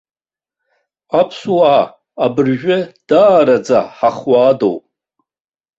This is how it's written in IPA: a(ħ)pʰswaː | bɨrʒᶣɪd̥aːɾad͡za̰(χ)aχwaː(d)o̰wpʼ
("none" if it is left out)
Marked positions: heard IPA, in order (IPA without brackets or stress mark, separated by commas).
none, ħ, d